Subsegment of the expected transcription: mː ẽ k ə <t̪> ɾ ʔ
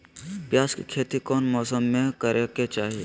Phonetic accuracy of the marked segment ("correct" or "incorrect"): incorrect